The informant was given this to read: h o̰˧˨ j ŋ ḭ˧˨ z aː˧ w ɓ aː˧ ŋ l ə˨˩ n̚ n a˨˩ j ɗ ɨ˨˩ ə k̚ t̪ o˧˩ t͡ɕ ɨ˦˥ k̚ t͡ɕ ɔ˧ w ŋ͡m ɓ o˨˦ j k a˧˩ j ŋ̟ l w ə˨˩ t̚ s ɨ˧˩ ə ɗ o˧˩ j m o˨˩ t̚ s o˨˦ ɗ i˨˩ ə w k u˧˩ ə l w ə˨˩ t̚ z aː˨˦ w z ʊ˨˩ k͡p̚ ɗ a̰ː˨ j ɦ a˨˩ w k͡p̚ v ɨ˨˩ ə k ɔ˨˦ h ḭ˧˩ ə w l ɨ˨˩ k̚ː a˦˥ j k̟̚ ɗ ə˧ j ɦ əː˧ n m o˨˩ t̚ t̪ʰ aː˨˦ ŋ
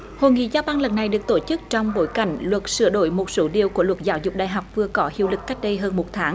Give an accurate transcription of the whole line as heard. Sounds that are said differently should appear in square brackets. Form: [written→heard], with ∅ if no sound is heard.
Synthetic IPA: h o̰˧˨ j ŋ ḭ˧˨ z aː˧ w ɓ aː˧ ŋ l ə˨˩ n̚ n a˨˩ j ɗ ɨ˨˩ ə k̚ t̪ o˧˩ t͡ɕ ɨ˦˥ k̚ t͡ɕ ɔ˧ w ŋ͡m ɓ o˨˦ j k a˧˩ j ŋ̟ l w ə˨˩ t̚ s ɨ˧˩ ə ɗ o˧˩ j m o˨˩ t̚ s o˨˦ ɗ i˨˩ ə w k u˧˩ ə l w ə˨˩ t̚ z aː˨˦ w z ʊ˨˩ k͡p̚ ɗ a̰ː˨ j ɦ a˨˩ w k͡p̚ v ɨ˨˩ ə k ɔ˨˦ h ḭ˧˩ ə w l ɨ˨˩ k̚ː a˦˥ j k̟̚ ɗ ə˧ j ɦ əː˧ n m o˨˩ t̚ t̪ʰ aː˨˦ ŋ

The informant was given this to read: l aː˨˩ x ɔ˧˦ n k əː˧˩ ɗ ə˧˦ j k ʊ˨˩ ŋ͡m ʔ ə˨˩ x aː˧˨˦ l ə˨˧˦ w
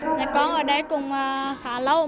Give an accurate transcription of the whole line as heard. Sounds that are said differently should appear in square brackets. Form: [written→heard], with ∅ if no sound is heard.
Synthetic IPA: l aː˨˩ [x→k] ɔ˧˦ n [k→ʔ] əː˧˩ ɗ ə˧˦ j k ʊ˨˩ ŋ͡m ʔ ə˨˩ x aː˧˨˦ l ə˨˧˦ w

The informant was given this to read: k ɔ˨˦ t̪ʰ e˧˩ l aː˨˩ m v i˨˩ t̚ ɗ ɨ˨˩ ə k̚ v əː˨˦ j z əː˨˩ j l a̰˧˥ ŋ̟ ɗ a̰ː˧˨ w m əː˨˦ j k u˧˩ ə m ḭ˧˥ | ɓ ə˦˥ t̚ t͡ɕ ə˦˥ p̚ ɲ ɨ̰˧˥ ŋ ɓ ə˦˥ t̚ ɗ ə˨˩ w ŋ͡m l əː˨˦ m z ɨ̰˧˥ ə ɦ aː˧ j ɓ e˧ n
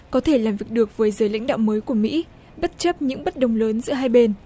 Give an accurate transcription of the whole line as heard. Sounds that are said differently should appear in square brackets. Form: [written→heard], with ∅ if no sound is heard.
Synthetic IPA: k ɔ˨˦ t̪ʰ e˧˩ l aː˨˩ m v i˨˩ [t̚→k̚] ɗ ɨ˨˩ ə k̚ v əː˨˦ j z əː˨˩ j l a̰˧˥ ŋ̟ ɗ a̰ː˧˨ w m əː˨˦ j k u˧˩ ə m ḭ˧˥ | ɓ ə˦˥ t̚ t͡ɕ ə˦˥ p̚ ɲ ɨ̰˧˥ ŋ ɓ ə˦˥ t̚ ɗ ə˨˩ w ŋ͡m l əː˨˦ [m→n] z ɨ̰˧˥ ə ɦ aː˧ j ɓ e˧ n

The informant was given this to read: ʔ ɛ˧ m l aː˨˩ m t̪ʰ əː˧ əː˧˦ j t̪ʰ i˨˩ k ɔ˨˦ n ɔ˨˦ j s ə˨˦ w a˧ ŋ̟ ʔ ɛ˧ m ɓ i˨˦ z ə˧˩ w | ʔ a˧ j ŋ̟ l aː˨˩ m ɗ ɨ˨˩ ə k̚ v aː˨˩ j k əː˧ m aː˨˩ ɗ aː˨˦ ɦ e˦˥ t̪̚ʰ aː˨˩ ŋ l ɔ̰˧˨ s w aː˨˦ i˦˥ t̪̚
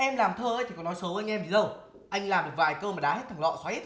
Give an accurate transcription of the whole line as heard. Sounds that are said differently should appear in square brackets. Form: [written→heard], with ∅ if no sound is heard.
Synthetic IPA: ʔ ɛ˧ m l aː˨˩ m t̪ʰ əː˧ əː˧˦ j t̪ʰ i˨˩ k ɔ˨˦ n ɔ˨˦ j s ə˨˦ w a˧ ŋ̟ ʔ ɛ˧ m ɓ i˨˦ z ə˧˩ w | ʔ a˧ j ŋ̟ l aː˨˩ m ɗ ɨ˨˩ ə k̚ v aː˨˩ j k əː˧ m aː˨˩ ɗ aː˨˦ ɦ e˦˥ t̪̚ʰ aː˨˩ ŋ l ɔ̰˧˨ s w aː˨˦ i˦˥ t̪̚

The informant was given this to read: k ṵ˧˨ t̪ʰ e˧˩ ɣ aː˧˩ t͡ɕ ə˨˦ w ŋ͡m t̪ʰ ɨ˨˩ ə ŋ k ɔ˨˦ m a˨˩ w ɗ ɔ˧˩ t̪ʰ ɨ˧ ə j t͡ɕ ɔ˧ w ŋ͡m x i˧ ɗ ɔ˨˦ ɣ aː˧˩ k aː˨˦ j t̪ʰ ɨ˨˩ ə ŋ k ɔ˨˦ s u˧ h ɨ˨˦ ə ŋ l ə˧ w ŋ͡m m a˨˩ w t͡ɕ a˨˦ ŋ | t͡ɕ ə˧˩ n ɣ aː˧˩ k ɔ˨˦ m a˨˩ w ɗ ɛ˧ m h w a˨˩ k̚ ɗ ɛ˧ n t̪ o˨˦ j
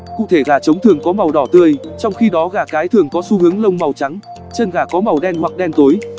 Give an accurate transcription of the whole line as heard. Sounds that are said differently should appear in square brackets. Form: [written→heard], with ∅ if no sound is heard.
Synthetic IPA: k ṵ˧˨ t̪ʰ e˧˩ ɣ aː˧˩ t͡ɕ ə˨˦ w ŋ͡m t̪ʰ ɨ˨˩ ə ŋ k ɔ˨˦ m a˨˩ w ɗ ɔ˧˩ [t̪ʰ→t̪] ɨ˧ ə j t͡ɕ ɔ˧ w ŋ͡m x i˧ ɗ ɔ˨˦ ɣ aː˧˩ k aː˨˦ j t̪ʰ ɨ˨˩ ə ŋ k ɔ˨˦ s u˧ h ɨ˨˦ ə ŋ l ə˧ w ŋ͡m m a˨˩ w t͡ɕ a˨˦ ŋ | t͡ɕ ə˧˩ n ɣ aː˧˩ k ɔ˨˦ m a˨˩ w ɗ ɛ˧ [m→n] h w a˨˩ k̚ ɗ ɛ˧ n t̪ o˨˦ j

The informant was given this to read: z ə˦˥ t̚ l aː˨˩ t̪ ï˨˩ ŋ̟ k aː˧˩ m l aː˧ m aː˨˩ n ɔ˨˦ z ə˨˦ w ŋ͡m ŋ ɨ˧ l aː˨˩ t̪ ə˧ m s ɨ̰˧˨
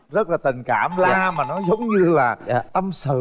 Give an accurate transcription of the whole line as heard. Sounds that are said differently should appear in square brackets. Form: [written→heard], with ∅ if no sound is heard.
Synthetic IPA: z ə˦˥ t̚ l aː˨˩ t̪ ï˨˩ ŋ̟ k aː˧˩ m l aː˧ m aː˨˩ n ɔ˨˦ z ə˨˦ w ŋ͡m [ŋ→ɲ] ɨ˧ l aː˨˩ t̪ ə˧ m s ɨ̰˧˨

